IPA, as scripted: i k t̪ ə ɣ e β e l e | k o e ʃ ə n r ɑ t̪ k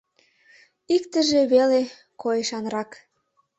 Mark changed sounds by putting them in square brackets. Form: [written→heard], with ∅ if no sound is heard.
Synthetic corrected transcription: i k t̪ ə [ɣ→ʒ] e β e l e | k o e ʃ [ə→ɑ] n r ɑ [t̪→∅] k